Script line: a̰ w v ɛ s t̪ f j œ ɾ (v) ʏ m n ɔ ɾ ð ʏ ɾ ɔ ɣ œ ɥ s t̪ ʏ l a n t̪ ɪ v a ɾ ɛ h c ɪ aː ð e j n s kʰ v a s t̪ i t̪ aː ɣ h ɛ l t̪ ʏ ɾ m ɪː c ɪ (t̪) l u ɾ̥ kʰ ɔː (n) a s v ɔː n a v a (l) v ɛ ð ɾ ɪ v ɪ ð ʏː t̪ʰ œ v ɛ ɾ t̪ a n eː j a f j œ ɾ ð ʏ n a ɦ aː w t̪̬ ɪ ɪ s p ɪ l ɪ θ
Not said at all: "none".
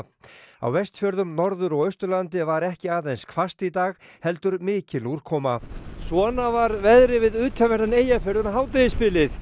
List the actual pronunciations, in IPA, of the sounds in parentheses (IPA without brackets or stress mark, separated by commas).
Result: ð, none, m, ɾ